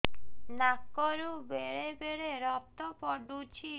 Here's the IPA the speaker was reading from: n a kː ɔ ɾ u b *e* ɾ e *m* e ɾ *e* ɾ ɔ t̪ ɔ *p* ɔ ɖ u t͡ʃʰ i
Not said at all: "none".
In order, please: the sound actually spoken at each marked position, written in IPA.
e, b, e, p

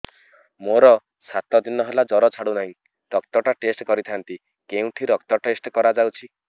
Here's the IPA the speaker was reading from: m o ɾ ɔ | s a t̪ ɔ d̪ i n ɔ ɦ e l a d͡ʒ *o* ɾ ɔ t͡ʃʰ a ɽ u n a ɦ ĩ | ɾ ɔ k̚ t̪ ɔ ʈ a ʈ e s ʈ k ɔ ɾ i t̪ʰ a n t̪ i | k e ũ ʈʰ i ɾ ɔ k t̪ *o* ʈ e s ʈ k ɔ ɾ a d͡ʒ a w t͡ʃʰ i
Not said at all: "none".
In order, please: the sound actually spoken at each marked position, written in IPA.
ɔ, ɔ

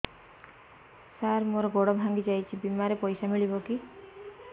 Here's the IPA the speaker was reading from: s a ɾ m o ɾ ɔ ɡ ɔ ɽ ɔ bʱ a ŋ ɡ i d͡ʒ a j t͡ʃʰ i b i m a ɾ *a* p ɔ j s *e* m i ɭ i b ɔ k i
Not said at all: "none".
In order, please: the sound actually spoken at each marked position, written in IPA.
e, a

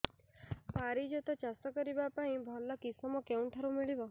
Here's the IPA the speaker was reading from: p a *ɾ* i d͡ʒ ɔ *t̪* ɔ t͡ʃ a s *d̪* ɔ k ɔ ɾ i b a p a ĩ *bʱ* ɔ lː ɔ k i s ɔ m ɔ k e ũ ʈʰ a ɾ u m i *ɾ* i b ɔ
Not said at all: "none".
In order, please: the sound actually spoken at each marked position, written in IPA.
ɾ, t̪, t̪, bʱ, ɭ

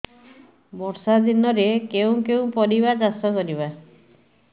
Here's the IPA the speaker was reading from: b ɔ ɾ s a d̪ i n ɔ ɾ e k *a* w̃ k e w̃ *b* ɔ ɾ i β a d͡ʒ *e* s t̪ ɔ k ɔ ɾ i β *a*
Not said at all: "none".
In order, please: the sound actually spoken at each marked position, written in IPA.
e, p, a, a

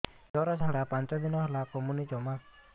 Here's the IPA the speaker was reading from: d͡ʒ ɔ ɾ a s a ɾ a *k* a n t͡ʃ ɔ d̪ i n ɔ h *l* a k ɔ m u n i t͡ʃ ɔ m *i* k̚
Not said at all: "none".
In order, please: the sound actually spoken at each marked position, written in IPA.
p, l, a

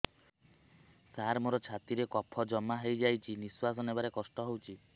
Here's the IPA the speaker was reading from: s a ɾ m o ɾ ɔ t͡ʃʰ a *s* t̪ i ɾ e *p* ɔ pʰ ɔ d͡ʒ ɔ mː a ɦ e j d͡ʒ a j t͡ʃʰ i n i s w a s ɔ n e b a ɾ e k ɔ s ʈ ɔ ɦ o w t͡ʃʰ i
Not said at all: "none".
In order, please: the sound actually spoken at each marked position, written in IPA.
none, k

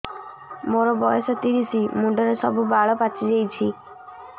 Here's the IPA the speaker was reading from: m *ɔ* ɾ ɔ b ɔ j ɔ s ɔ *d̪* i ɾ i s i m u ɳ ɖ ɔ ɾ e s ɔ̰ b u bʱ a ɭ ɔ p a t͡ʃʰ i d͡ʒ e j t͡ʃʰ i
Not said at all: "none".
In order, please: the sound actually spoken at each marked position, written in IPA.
o, t̪

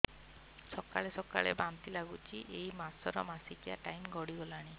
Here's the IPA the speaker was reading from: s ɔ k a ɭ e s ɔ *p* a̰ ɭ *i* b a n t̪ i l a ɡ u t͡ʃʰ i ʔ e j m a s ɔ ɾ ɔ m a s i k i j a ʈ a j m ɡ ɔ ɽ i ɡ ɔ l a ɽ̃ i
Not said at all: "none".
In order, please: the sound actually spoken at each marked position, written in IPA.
k, e

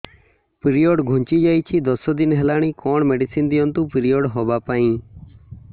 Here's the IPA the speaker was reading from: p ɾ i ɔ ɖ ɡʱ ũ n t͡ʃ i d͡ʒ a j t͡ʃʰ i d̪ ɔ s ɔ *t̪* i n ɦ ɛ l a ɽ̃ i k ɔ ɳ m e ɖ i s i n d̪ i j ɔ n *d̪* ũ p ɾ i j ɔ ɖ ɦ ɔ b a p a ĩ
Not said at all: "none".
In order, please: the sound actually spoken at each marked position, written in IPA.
d̪, t̪

